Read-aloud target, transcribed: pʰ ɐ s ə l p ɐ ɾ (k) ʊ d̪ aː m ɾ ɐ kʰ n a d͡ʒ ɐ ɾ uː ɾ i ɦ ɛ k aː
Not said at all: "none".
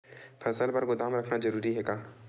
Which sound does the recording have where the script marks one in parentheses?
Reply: ɡ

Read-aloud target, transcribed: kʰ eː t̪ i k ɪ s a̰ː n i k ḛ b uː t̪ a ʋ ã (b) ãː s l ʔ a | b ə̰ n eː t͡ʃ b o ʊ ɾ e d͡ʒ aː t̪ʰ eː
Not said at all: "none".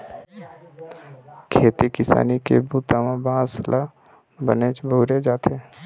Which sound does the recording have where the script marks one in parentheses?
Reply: b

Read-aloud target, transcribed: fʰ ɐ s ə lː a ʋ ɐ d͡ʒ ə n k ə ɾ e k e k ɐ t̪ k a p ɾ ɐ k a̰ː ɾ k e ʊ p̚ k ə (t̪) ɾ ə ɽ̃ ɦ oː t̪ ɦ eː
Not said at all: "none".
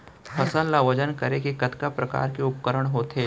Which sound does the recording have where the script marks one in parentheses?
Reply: none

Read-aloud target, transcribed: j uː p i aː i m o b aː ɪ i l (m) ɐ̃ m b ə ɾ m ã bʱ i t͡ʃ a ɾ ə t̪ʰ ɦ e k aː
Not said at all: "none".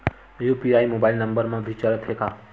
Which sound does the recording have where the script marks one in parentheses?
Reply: n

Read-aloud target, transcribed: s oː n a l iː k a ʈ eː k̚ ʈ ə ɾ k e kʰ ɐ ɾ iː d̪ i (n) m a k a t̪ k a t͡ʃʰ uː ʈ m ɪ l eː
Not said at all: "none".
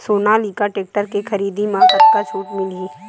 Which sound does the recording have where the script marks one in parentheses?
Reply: none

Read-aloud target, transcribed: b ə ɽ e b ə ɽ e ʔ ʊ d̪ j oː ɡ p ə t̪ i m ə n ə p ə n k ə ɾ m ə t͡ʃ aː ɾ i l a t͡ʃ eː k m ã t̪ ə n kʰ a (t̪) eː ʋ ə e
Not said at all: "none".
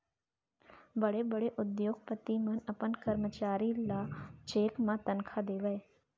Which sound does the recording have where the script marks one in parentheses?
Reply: d̪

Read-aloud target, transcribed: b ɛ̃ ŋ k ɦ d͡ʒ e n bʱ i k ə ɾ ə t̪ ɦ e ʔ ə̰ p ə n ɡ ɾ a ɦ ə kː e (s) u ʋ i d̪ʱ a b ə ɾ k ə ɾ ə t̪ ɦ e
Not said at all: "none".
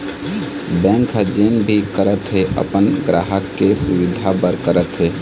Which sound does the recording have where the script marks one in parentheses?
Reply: s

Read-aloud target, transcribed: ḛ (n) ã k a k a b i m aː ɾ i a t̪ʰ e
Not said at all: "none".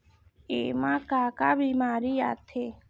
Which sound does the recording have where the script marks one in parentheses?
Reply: m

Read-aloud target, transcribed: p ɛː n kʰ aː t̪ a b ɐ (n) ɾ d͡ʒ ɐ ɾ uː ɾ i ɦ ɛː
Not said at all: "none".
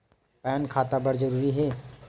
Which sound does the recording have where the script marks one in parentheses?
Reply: none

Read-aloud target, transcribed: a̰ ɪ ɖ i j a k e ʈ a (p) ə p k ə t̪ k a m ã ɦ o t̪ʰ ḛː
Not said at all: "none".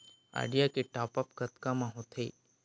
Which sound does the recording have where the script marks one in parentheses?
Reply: p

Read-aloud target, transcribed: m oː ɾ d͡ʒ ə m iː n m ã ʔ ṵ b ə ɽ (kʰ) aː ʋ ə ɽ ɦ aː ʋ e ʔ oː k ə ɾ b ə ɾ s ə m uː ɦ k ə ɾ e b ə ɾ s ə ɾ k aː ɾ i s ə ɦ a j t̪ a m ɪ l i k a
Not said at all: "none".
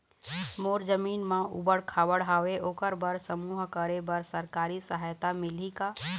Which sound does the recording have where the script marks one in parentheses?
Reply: kʰ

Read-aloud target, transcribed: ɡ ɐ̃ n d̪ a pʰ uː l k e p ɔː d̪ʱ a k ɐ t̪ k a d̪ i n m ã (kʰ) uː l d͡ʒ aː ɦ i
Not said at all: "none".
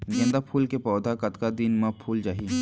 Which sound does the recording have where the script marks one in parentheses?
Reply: pʰ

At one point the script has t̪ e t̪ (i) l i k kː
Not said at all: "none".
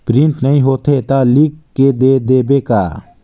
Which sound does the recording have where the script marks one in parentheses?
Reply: a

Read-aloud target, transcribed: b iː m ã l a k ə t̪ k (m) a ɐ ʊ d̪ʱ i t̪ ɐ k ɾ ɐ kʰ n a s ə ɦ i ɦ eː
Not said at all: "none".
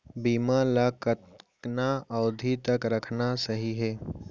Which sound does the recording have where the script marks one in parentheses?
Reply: n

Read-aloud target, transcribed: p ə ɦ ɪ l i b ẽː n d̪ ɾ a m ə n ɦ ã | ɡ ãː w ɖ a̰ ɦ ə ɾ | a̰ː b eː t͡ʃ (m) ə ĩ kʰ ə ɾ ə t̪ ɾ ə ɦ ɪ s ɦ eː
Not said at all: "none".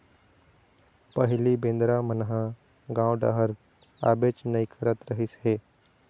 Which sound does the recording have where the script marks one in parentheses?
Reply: n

